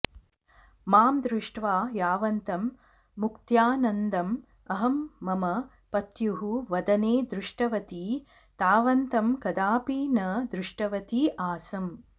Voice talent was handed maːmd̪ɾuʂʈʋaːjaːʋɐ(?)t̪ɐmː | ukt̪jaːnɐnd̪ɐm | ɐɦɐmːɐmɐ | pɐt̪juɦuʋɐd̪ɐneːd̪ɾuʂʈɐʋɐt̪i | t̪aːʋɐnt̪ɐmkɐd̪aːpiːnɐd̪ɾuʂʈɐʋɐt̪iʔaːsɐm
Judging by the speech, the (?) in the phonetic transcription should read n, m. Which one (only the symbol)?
n